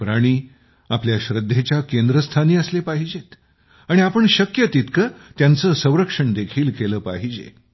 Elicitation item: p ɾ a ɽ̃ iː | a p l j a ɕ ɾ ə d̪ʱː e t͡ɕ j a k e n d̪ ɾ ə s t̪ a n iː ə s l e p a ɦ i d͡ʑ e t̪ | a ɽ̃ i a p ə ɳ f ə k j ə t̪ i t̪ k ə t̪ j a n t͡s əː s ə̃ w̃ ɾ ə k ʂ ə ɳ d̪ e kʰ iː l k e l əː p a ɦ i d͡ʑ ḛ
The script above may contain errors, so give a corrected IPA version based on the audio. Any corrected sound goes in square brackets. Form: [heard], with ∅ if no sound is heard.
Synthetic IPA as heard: p ɾ a ɽ̃ iː | a p l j a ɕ ɾ ə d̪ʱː e t͡ɕ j a k e n d̪ ɾ ə s [t̪ʰ] a n iː ə s l e p a ɦ i d͡ʑ e t̪ | a ɽ̃ i a p ə ɳ [ɕ] ə k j ə t̪ i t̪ k ə t̪ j a n t͡s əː s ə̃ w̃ ɾ ə k ʂ ə ɳ d̪ e kʰ iː l k e l əː p a ɦ i d͡ʑ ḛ